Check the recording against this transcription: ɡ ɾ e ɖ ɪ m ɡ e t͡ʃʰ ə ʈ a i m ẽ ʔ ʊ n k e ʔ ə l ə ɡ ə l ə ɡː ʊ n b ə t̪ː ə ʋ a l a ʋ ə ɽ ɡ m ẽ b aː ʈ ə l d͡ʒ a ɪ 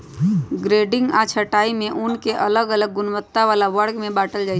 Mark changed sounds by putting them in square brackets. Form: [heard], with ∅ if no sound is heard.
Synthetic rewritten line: ɡ ɾ e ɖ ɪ [ŋ] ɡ [a] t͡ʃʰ ə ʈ a i m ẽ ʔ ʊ n k e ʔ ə l ə ɡ ə l ə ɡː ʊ n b ə t̪ː [a] ʋ a l a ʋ ə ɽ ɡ m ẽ b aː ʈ ə l d͡ʒ a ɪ